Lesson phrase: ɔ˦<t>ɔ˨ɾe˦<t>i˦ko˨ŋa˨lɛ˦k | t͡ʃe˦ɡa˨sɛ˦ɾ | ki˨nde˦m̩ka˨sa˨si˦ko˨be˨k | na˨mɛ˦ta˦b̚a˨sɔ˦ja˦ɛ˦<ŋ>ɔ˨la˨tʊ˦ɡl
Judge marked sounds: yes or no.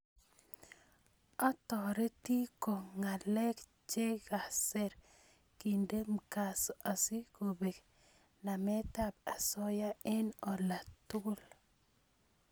yes, yes, no

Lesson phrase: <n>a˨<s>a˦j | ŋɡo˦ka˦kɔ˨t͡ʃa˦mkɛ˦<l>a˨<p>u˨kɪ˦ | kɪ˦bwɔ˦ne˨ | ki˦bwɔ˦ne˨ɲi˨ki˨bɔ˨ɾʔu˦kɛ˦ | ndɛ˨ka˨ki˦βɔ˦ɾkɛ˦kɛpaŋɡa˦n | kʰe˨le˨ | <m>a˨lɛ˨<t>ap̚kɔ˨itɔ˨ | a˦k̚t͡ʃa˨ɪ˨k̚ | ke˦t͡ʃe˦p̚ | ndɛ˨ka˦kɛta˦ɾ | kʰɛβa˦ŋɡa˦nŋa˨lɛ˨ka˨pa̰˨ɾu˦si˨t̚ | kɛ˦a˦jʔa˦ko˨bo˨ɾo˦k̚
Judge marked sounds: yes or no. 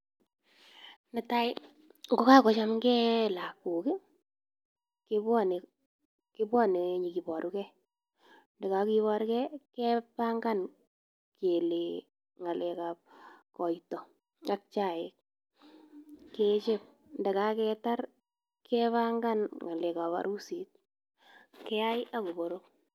yes, no, yes, no, no, no

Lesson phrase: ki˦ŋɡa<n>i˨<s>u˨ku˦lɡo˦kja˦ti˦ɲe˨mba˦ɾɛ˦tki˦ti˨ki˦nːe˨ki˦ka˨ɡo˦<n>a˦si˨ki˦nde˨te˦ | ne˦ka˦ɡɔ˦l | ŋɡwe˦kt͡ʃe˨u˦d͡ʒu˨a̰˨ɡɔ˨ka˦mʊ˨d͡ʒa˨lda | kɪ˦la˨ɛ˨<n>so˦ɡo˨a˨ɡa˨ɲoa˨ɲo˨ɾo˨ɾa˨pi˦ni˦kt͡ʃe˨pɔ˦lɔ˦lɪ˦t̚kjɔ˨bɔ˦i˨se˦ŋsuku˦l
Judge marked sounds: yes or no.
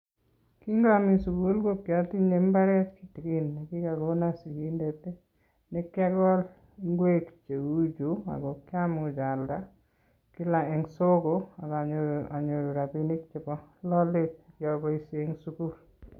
no, yes, yes, no

